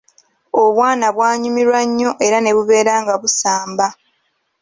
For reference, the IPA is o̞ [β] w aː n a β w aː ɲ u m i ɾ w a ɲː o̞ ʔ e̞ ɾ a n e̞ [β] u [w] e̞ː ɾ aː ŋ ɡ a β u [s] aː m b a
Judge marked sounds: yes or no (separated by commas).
yes, yes, no, yes